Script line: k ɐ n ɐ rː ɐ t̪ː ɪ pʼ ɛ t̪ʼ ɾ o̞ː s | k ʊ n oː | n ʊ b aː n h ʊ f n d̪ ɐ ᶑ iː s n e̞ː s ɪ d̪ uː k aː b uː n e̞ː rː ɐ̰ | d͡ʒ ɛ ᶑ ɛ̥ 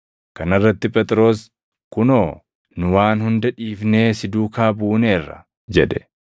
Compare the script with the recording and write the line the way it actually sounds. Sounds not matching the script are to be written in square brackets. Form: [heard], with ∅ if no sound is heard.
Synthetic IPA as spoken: k ɐ n ɐ rː ɐ t̪ː ɪ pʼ ɛ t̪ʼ ɾ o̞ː s | k ʊ n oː | n ʊ [w] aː n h ʊ [∅] n d̪ ɐ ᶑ iː [f] n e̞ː s ɪ d̪ uː k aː b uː n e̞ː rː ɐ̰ | d͡ʒ ɛ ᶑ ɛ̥

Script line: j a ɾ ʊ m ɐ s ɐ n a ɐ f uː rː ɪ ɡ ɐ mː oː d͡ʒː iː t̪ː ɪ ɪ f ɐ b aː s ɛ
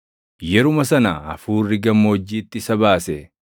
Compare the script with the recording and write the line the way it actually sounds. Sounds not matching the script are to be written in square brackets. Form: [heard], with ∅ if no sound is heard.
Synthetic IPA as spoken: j [ɛ] ɾ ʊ m ɐ s ɐ n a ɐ f uː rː ɪ ɡ ɐ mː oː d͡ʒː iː t̪ː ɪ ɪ [s] ɐ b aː s ɛ

